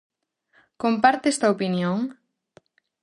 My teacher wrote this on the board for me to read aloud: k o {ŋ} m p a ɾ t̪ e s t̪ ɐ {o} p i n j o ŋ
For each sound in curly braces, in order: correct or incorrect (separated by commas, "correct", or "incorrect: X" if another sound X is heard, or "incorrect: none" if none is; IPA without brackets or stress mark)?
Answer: incorrect: none, correct